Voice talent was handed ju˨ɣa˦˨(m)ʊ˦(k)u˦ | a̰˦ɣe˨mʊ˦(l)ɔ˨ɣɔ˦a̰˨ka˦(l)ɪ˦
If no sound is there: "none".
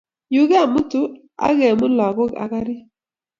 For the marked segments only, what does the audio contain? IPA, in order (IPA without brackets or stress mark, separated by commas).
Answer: m, t, l, ɾ